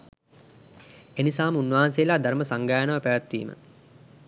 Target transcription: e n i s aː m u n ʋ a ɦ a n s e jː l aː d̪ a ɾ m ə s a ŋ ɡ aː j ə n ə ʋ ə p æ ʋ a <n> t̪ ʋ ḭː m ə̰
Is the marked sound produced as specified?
no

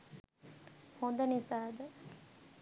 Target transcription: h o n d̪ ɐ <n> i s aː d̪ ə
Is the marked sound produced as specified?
yes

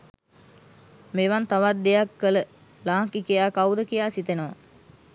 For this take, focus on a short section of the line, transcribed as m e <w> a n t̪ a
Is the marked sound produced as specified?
no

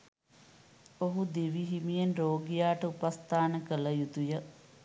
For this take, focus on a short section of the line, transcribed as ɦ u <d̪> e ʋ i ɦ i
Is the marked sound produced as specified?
yes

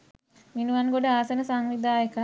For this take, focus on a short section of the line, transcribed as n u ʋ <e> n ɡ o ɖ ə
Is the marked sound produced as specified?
no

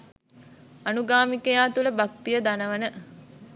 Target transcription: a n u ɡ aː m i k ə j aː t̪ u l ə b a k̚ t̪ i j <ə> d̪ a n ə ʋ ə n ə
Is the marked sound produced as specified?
yes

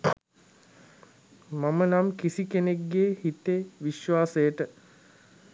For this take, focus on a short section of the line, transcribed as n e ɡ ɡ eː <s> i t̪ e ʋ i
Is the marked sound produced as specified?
no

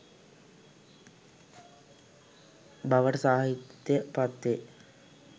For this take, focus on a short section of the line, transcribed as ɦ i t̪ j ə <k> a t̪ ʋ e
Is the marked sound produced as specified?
no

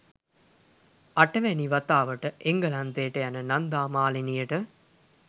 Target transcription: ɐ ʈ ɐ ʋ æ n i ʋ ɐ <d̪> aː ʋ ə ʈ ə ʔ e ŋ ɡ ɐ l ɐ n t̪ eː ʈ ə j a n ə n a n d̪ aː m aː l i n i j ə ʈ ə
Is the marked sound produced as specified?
no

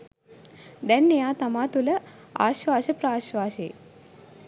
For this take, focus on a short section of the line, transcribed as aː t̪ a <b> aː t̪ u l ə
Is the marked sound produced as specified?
no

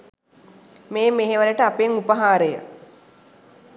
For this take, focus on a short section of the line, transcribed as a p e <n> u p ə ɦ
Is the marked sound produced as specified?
no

